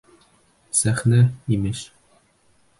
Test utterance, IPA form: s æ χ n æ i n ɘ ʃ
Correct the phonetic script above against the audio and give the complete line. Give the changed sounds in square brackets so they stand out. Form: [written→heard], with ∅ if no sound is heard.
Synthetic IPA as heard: s æ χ n æ i [n→m] ɘ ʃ